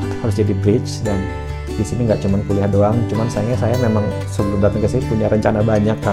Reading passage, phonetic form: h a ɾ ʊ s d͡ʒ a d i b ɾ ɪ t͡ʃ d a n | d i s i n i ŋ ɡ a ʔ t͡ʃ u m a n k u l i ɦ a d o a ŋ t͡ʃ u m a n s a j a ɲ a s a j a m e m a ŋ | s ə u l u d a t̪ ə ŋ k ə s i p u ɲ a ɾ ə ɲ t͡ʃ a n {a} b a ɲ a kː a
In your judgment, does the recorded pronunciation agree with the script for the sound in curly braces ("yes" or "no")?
yes